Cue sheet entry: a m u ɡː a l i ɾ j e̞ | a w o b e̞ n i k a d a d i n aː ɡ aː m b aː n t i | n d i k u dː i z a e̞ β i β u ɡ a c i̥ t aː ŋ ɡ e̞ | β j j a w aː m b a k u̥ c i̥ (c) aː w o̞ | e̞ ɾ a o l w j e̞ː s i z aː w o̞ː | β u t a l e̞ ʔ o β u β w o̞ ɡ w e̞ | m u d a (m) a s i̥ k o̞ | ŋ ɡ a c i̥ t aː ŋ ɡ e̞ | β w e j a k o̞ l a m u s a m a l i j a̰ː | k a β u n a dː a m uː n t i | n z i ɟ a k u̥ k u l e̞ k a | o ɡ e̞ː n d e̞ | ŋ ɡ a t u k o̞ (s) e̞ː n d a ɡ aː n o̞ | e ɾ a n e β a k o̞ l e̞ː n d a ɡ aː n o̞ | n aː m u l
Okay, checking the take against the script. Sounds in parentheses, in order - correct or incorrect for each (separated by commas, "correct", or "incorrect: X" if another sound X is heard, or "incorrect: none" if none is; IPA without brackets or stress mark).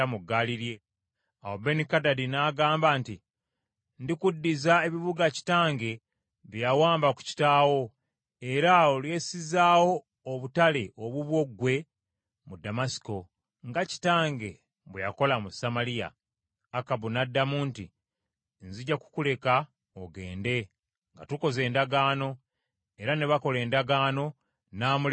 incorrect: t, correct, incorrect: z